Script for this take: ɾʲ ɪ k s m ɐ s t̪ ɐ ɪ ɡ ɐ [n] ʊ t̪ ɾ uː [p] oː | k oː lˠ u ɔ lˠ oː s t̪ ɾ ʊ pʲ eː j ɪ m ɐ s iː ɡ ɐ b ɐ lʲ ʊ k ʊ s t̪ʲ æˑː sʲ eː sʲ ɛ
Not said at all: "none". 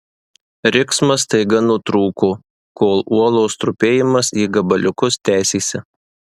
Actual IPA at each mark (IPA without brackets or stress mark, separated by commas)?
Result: n, k